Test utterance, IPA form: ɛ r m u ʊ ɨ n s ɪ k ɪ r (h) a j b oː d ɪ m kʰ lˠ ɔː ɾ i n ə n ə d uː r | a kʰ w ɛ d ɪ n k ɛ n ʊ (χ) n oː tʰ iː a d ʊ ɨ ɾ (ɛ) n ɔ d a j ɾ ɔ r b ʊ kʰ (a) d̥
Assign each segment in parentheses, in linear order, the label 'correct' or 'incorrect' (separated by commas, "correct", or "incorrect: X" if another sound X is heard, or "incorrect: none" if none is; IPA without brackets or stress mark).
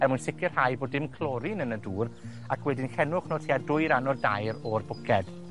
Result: correct, correct, incorrect: a, incorrect: ɛ